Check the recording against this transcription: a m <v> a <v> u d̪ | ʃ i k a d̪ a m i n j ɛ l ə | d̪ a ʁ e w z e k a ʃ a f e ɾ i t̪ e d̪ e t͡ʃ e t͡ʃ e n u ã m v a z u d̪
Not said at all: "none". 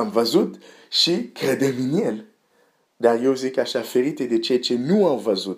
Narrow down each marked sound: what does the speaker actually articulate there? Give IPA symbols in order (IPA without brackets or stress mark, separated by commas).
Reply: v, z